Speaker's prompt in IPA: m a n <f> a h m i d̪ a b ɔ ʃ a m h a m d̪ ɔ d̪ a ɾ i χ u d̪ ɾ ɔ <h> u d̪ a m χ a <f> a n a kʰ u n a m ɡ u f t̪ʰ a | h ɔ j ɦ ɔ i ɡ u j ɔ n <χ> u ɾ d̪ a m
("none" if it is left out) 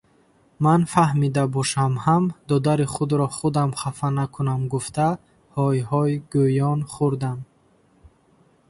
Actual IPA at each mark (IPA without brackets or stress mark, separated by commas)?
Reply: f, χ, f, χ